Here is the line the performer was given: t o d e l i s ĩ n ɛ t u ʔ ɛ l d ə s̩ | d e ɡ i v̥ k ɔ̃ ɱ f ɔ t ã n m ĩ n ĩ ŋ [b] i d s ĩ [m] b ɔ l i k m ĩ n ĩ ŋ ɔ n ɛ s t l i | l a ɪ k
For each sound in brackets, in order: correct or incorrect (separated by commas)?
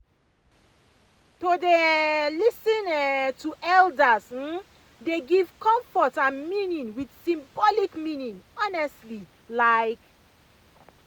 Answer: incorrect, correct